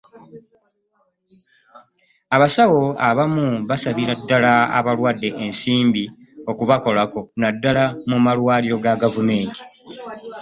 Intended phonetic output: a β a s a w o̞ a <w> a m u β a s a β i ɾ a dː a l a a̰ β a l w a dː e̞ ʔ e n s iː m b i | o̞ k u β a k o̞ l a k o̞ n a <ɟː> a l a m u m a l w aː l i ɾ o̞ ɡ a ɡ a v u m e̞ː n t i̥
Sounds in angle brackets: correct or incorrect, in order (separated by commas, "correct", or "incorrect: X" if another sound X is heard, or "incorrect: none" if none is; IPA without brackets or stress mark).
incorrect: β, incorrect: dː